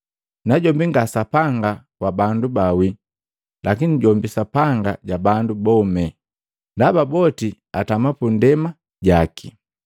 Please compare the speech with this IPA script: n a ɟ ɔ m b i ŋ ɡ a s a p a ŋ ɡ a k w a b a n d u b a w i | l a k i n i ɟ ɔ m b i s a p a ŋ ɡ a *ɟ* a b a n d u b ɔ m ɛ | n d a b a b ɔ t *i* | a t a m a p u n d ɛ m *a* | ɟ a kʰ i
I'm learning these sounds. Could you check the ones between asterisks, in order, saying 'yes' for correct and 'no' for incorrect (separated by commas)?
yes, yes, yes